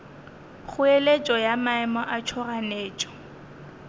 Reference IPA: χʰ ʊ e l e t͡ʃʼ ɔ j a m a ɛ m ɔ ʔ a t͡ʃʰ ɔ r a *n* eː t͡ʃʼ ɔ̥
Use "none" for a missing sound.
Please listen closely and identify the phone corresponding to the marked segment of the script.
n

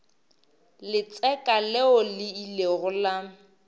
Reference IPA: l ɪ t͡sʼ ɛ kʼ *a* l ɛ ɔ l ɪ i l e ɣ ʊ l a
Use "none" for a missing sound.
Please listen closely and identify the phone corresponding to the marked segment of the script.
a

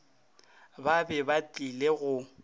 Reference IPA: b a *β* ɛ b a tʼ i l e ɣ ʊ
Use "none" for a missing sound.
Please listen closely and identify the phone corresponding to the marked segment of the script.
b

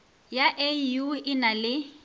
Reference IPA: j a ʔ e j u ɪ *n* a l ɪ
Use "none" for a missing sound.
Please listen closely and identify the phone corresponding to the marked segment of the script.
n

